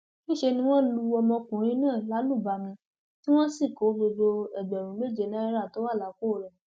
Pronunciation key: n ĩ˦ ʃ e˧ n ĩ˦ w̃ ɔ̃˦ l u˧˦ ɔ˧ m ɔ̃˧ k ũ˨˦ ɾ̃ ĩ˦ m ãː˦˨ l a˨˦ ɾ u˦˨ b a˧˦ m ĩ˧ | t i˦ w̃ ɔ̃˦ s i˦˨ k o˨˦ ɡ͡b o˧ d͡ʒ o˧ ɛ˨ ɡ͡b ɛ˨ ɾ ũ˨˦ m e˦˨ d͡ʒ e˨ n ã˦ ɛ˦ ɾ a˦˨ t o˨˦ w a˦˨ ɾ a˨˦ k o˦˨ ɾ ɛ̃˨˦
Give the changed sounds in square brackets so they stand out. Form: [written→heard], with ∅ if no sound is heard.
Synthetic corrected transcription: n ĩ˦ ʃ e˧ n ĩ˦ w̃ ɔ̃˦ l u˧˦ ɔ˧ m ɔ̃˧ k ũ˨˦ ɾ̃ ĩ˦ [m→n] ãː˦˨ l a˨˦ [ɾ→l] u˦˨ b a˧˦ m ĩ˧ | t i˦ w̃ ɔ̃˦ s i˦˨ k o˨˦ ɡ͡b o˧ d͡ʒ o˧ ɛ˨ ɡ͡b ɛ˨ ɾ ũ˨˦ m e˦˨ d͡ʒ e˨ n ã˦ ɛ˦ ɾ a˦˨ t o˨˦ w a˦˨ [ɾ→l] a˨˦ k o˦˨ ɾ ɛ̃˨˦